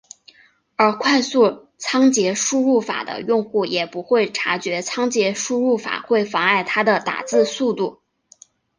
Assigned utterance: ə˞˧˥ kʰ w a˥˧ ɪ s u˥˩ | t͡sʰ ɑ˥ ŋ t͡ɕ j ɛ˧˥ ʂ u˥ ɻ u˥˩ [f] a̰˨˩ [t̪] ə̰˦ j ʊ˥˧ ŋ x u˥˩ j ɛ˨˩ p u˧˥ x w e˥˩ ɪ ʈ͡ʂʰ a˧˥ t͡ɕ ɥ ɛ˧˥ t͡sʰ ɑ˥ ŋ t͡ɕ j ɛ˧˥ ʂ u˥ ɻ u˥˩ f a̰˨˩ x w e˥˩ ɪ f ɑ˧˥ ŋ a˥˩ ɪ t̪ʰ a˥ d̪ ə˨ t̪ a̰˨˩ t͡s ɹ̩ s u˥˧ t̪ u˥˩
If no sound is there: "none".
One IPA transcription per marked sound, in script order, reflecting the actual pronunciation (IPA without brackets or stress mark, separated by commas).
f, d̪